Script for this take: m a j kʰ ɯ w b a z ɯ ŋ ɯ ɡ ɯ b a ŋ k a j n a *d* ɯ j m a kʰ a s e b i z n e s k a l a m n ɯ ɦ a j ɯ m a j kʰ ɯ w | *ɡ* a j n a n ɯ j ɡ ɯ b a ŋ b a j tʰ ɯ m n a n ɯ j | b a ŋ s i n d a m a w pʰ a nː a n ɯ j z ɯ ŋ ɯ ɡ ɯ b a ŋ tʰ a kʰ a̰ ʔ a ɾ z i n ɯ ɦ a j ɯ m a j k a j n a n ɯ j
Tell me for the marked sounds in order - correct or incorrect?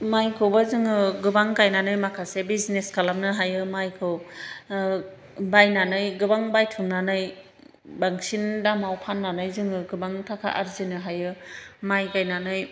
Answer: incorrect: n, incorrect: b

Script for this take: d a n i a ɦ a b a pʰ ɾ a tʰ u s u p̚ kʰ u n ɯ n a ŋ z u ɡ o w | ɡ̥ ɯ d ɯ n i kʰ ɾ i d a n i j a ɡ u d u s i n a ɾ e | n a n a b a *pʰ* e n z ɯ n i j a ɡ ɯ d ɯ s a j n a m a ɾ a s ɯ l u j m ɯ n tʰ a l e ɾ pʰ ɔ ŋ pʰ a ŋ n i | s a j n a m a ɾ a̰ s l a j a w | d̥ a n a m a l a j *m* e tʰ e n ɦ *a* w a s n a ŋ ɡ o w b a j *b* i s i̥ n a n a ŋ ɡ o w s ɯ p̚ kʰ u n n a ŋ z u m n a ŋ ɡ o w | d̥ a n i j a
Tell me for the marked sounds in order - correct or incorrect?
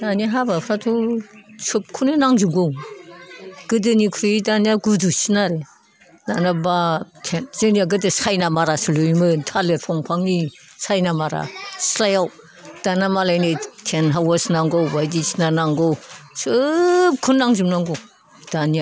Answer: incorrect: tʰ, incorrect: n, correct, incorrect: d

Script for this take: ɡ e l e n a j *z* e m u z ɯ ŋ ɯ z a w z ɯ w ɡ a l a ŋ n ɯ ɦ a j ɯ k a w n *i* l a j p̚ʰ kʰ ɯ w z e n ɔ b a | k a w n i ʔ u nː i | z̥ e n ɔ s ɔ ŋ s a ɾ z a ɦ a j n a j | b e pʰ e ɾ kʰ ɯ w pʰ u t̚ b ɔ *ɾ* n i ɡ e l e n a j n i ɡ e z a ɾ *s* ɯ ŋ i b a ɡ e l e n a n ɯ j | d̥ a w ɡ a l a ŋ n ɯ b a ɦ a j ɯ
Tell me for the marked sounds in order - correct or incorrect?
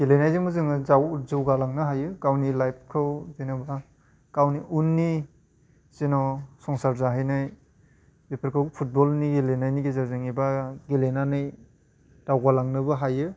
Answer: correct, correct, incorrect: l, incorrect: z

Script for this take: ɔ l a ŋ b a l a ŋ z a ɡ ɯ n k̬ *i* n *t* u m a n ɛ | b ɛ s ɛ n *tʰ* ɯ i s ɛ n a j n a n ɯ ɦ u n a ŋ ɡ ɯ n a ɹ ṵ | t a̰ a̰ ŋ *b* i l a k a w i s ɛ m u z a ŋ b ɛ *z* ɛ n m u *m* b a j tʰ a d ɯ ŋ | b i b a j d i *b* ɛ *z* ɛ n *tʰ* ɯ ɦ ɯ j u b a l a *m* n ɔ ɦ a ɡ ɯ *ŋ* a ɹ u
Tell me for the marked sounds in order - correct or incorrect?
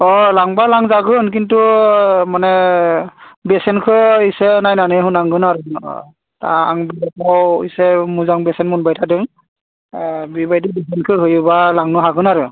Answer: correct, correct, incorrect: kʰ, correct, incorrect: s, incorrect: n, correct, incorrect: s, incorrect: kʰ, incorrect: ŋ, incorrect: n

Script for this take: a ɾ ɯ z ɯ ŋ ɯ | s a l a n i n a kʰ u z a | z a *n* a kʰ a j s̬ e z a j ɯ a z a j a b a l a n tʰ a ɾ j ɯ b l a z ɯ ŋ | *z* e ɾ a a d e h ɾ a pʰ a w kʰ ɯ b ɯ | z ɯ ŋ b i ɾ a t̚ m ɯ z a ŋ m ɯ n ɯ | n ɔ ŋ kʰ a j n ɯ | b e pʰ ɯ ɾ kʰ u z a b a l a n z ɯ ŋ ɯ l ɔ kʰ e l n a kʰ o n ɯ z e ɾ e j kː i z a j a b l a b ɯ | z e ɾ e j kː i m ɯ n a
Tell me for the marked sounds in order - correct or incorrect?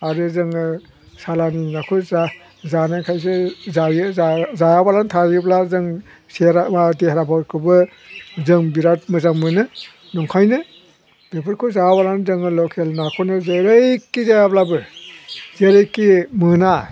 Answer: correct, incorrect: s

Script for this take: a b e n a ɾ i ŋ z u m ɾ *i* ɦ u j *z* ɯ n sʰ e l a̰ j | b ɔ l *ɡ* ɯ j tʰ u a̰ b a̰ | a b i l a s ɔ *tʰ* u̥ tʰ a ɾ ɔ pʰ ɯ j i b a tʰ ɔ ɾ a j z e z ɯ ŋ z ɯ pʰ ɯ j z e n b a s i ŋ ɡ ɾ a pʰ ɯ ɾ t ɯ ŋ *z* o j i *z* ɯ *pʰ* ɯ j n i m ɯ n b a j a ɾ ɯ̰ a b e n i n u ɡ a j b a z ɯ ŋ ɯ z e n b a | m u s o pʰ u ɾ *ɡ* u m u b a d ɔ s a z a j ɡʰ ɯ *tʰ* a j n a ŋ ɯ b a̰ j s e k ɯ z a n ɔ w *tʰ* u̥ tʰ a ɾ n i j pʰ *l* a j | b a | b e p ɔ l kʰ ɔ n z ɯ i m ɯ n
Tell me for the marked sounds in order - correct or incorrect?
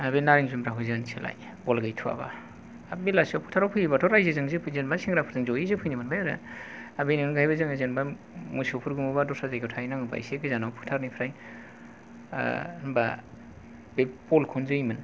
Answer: incorrect: a, correct, correct, incorrect: pʰ, correct, correct, correct, correct, correct, incorrect: pʰ, incorrect: ɾ

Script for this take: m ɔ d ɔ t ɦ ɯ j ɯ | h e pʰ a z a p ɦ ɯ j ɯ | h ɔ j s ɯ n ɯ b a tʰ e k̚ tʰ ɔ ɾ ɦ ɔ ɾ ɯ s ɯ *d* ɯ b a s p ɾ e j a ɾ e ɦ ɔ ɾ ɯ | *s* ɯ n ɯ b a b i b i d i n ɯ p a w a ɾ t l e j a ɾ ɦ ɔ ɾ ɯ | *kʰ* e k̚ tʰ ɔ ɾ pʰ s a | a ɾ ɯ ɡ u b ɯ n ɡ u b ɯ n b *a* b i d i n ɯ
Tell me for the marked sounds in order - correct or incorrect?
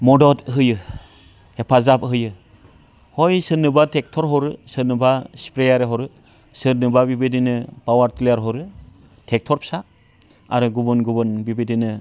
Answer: incorrect: n, correct, incorrect: tʰ, incorrect: i

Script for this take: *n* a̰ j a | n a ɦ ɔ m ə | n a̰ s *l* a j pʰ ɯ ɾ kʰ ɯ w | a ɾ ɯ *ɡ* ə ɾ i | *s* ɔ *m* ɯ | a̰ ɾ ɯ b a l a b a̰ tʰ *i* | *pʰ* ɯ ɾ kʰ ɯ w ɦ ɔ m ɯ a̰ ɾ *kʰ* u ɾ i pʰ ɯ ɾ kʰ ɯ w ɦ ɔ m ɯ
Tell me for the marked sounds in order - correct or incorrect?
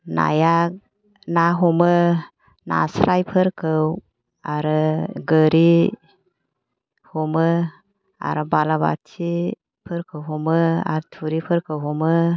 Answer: correct, incorrect: ɾ, correct, incorrect: h, correct, correct, correct, incorrect: tʰ

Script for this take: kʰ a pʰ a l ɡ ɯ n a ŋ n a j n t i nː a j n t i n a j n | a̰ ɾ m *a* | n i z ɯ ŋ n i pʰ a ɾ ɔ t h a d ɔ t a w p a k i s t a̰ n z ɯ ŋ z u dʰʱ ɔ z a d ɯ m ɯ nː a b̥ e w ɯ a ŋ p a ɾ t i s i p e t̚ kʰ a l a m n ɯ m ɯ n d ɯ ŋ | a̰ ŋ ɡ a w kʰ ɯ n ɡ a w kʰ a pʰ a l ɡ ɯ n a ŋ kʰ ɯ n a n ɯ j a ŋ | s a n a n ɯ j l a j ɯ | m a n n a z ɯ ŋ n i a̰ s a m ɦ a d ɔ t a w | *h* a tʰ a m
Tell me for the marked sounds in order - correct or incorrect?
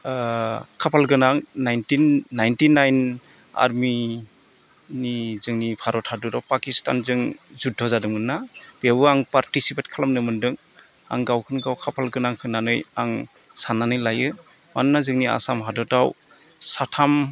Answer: incorrect: i, incorrect: s

